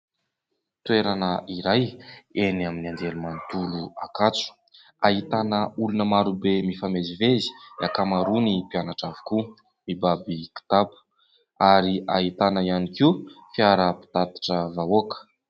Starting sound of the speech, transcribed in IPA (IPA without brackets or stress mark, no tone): t̪